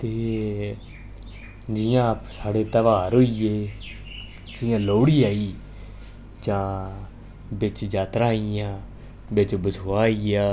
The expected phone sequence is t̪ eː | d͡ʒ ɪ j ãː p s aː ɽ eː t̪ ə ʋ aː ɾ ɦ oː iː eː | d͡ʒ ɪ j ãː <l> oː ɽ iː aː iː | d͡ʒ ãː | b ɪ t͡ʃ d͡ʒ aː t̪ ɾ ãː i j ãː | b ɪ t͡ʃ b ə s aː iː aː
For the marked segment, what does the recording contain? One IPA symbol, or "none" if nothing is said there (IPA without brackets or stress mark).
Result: l